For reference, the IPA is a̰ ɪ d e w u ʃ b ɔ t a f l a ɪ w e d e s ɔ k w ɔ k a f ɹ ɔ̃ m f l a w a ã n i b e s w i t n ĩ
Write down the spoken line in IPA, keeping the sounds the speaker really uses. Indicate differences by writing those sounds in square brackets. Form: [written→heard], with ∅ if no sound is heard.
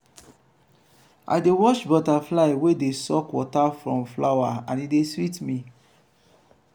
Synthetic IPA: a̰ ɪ d e w [u→ɔ] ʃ b ɔ t a f l a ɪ w e d e s ɔ k w ɔ [k→t] a f ɹ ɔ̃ m f l a w a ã n i [b→d] e s w i t [n→m] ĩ